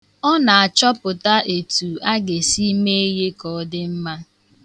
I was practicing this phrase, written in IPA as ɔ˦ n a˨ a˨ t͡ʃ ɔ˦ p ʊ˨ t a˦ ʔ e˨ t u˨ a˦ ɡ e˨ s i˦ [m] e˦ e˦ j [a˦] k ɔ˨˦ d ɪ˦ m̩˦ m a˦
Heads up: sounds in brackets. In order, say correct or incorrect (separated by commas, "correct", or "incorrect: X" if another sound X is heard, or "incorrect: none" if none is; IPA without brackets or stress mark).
correct, incorrect: e˦